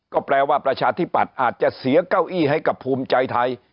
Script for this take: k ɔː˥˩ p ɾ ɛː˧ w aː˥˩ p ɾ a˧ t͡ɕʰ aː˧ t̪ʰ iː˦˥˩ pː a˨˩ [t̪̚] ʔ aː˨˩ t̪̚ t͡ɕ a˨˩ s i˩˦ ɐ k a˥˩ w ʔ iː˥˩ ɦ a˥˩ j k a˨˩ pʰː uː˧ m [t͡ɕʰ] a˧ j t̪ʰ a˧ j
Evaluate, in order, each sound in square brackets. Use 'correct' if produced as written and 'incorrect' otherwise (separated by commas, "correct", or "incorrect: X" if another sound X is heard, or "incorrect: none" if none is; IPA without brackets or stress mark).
correct, incorrect: t͡ɕ